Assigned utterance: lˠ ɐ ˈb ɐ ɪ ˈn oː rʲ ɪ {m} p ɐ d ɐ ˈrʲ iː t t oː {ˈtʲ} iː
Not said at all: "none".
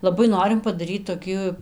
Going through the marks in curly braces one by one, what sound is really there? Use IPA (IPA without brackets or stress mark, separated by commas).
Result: m, kʲ